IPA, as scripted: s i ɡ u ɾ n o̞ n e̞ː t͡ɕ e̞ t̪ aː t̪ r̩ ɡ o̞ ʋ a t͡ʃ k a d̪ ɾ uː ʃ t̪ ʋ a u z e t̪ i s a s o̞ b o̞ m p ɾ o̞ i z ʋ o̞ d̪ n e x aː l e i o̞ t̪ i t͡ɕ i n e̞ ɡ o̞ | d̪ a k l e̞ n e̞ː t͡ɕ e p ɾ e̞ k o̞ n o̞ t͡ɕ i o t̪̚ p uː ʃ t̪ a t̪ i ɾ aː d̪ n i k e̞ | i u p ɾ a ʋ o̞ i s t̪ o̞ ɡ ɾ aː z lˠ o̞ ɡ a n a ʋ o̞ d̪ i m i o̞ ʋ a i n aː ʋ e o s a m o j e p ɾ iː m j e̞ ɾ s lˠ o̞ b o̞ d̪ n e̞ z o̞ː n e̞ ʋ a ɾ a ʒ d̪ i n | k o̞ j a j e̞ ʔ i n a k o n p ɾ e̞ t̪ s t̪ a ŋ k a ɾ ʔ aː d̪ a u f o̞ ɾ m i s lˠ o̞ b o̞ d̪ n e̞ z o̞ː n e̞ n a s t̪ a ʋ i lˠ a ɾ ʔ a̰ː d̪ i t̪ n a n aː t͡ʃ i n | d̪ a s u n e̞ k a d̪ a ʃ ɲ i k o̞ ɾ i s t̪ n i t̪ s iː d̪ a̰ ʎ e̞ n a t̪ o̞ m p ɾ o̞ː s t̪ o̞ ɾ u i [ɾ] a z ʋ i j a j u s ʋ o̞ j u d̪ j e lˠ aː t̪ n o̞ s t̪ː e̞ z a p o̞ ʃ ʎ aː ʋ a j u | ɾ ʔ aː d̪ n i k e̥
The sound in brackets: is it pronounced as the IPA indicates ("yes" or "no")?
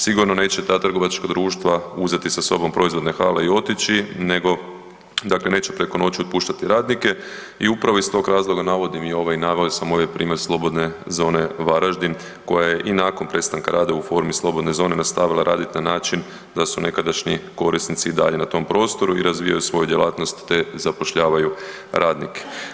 yes